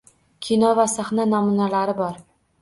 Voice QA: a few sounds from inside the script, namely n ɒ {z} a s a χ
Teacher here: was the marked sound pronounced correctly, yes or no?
no